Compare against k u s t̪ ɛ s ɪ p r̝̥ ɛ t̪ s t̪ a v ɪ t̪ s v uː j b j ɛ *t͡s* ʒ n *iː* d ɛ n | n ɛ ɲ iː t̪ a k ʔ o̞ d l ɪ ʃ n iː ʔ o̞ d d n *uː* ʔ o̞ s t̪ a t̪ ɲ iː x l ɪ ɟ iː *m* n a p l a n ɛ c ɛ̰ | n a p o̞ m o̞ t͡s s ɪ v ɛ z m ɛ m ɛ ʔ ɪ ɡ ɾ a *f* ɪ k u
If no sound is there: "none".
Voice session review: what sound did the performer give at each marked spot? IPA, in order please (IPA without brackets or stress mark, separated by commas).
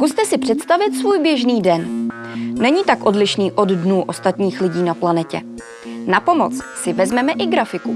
none, iː, uː, none, f